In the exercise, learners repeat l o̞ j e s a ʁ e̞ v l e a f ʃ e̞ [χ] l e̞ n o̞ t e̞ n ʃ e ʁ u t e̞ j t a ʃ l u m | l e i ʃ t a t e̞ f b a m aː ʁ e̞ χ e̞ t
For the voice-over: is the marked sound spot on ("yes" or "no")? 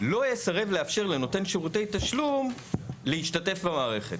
no